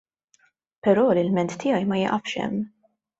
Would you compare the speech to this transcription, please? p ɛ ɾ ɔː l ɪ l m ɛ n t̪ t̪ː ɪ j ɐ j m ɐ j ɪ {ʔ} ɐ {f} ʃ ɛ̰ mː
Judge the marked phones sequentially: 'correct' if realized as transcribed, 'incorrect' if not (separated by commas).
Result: correct, correct